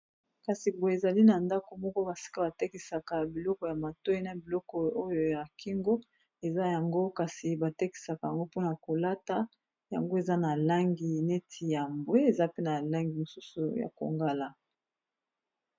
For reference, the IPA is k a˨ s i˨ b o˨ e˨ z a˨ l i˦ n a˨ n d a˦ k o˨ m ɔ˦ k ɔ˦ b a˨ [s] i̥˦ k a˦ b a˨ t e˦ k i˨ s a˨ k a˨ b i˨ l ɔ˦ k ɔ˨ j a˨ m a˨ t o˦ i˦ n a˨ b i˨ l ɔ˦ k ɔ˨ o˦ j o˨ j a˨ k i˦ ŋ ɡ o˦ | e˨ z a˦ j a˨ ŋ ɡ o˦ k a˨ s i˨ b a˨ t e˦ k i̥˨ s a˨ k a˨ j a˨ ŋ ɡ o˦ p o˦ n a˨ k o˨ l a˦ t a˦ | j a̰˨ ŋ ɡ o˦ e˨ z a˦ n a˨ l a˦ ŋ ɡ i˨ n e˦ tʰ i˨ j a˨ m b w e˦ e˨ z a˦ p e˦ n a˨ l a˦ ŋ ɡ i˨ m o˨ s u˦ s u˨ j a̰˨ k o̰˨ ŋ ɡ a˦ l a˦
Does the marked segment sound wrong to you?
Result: no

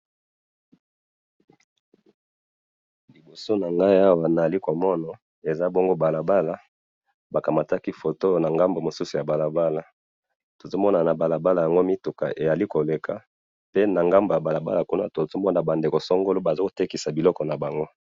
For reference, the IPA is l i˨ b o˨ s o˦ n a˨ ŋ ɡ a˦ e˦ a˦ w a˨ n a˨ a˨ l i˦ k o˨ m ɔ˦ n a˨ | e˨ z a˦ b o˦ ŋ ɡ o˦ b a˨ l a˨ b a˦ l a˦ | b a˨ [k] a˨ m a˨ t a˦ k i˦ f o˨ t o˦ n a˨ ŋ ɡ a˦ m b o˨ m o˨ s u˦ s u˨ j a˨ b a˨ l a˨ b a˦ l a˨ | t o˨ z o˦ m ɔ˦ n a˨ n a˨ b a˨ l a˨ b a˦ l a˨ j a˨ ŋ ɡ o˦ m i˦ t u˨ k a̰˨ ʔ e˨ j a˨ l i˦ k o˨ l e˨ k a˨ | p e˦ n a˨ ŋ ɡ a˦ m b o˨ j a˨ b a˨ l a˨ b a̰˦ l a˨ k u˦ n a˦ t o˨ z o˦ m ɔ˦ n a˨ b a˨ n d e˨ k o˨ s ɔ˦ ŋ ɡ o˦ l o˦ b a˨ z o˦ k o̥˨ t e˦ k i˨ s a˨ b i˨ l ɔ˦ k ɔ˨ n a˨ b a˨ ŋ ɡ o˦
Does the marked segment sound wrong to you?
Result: no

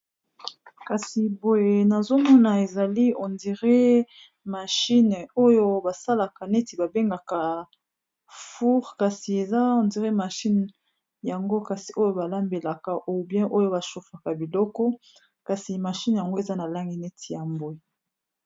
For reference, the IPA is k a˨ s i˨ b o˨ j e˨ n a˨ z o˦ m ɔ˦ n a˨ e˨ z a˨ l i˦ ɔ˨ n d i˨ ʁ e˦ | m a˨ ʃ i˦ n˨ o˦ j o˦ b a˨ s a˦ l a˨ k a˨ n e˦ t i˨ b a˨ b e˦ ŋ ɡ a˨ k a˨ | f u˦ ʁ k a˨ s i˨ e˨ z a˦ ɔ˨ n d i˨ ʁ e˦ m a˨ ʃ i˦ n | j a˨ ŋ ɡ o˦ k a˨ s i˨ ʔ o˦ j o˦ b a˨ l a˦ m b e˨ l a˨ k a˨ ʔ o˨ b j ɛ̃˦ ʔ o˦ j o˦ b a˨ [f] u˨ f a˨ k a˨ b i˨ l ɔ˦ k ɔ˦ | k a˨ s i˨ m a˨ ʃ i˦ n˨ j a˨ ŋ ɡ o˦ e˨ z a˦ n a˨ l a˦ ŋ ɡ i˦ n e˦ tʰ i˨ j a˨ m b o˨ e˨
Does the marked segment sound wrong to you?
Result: yes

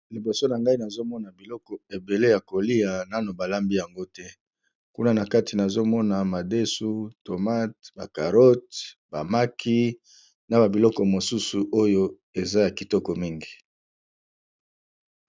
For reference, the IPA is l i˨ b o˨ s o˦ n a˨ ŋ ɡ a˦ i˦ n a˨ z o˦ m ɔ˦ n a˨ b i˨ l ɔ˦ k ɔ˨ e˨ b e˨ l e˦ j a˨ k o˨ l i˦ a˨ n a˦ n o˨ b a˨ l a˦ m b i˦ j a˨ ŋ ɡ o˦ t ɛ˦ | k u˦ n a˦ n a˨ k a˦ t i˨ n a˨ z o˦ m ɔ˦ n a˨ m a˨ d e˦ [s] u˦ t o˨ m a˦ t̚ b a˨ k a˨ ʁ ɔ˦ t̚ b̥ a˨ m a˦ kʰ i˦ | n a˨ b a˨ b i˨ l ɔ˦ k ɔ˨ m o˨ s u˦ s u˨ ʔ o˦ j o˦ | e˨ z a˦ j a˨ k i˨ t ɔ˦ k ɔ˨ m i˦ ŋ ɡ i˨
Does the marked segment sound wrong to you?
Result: no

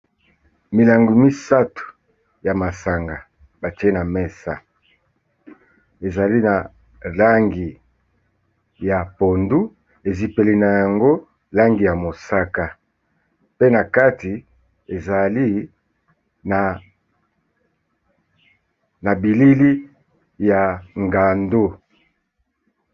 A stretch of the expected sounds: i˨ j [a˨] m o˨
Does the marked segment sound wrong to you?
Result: no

